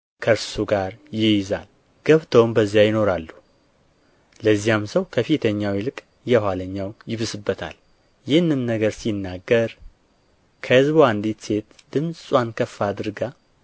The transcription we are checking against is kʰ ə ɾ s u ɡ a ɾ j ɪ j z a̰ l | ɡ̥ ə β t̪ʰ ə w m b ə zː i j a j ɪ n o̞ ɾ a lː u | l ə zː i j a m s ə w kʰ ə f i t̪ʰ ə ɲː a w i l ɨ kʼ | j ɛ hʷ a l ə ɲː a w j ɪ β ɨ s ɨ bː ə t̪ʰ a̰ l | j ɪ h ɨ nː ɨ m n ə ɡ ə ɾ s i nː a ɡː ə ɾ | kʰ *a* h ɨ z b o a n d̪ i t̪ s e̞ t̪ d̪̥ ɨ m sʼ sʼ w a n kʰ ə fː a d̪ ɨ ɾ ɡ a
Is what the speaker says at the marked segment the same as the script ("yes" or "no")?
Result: no